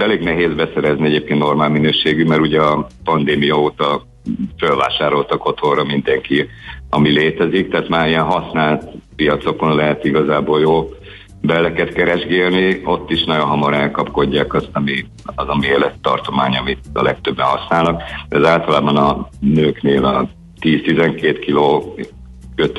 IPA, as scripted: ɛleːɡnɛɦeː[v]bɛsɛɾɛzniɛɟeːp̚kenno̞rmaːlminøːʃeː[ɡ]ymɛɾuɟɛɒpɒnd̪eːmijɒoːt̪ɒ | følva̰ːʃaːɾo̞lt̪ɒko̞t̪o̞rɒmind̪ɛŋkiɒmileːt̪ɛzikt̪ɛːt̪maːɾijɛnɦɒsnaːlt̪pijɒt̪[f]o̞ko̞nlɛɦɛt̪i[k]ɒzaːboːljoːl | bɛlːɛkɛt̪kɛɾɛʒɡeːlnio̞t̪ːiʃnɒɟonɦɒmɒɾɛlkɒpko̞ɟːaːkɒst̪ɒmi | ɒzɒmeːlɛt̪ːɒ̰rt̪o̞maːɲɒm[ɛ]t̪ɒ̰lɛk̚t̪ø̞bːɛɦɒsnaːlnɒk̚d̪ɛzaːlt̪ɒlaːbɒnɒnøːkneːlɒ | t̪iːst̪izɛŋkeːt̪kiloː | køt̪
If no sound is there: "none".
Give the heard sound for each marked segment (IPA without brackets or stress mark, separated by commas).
z, ɡ, s, ɡ, i